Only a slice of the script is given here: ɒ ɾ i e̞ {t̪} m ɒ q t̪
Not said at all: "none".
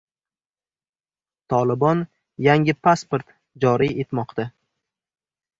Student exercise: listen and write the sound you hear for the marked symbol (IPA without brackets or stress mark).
t̪